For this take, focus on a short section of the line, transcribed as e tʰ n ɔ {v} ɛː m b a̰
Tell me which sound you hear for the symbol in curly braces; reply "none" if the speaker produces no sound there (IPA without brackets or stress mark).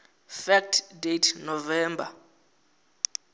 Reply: v